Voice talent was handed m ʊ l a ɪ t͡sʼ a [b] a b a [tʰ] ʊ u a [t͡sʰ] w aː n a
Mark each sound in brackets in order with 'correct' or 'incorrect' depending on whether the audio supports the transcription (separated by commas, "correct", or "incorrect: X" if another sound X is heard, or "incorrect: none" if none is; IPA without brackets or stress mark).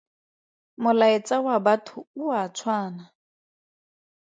incorrect: w, correct, correct